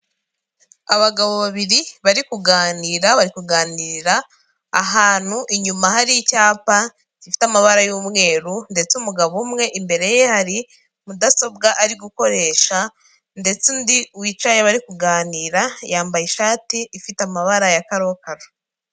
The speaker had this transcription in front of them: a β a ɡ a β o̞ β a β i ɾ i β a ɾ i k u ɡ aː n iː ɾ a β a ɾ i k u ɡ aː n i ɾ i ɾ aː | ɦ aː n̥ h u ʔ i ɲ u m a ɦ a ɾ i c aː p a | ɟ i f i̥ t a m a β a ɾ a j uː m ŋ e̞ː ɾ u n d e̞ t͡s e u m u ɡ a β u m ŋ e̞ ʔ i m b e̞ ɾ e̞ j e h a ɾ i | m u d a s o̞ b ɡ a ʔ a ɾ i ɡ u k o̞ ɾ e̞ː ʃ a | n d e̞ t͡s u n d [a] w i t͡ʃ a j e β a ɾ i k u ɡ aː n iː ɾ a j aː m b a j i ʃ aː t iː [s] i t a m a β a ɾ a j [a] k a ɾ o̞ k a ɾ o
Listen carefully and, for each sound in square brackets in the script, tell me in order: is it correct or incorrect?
incorrect: i, incorrect: f, correct

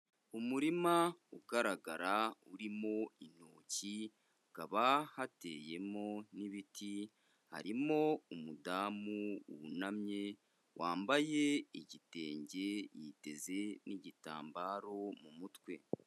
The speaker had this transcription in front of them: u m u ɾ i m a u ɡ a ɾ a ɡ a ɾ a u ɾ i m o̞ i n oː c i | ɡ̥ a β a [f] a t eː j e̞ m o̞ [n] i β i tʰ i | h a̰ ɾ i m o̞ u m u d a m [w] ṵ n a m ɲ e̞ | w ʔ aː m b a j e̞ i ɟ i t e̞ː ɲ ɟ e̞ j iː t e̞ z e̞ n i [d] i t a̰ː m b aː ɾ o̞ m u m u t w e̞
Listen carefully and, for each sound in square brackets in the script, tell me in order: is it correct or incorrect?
incorrect: h, correct, incorrect: u, incorrect: ɟ

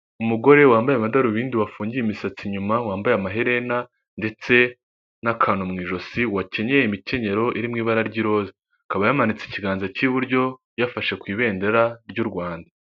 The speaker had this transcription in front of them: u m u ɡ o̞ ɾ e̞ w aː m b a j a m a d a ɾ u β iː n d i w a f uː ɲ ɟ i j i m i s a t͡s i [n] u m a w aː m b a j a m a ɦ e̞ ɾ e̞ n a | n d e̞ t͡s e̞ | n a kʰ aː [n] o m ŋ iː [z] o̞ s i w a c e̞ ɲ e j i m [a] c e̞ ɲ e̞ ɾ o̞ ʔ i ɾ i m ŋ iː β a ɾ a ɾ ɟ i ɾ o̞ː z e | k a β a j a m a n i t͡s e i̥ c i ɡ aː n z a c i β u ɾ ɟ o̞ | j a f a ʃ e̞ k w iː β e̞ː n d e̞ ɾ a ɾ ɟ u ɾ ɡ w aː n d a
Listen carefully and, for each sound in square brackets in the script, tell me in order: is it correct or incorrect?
incorrect: ɲ, correct, incorrect: ʒ, incorrect: i

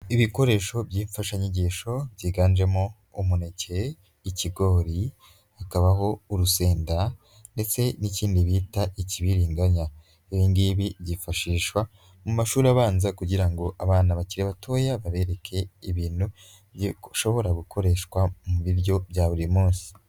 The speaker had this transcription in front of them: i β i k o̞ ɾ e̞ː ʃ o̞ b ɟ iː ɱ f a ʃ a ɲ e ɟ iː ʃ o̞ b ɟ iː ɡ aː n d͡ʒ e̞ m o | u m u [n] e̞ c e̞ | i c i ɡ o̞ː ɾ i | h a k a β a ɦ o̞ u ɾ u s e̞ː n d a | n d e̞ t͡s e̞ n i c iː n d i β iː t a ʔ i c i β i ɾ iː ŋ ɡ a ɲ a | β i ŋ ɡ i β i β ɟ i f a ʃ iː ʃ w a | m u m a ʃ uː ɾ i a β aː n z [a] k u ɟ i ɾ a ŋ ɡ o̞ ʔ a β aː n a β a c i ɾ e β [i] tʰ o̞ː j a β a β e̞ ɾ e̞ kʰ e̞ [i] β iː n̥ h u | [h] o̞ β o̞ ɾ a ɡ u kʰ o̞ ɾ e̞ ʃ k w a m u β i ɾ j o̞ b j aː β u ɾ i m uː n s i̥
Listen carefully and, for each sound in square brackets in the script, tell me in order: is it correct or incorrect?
correct, correct, incorrect: a, correct, incorrect: ʃ

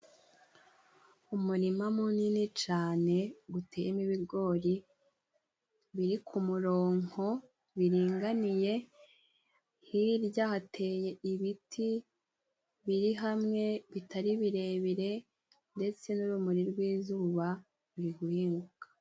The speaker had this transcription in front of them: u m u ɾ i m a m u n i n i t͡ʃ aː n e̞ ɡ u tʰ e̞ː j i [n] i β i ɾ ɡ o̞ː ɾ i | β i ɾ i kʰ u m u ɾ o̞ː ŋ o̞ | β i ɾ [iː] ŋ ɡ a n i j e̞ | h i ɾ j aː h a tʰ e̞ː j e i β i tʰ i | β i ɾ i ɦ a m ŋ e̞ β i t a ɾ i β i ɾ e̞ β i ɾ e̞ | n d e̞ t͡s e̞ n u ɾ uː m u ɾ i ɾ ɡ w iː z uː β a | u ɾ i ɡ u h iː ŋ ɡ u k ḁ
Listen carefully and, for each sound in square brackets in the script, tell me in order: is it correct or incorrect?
incorrect: m, correct

